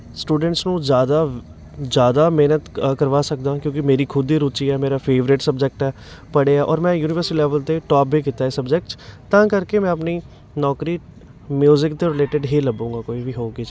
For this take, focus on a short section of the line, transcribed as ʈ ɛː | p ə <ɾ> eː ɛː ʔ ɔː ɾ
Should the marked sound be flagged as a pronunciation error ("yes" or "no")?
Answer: yes